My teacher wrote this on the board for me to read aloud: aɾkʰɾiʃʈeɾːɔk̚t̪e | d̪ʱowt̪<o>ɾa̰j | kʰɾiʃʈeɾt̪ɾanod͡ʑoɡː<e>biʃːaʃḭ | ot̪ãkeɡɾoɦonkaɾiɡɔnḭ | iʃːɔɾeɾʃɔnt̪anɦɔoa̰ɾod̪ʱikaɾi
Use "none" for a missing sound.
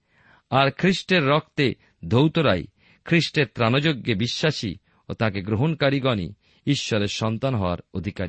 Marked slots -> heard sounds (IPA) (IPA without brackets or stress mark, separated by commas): o, e